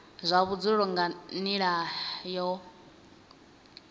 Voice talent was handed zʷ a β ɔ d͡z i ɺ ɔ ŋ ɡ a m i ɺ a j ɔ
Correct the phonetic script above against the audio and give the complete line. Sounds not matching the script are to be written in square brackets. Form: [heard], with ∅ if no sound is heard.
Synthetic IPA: zʷ a β [u] d͡z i ɺ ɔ ŋ ɡ a [n] i ɺ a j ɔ